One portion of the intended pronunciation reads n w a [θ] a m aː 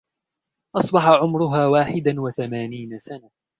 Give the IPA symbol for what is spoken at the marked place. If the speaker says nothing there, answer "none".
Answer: θ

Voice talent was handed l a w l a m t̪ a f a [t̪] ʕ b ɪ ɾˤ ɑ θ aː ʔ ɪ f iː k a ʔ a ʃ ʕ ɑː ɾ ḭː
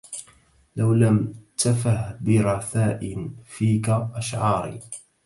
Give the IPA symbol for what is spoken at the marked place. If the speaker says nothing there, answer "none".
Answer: none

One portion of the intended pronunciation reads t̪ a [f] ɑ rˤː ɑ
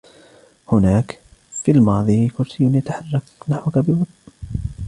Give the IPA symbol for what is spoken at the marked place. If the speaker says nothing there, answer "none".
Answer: ħ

